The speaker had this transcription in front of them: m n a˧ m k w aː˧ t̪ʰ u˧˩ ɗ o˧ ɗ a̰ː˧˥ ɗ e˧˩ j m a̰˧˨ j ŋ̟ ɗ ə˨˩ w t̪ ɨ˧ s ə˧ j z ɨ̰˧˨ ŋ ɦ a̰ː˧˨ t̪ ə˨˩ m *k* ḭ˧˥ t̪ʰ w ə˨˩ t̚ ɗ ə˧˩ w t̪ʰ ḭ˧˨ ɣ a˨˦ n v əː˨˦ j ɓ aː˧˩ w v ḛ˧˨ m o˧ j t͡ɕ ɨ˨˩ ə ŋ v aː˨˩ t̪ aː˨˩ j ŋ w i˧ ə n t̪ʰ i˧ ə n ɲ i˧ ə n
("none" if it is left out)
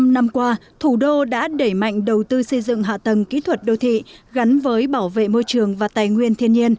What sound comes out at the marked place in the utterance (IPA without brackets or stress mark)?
k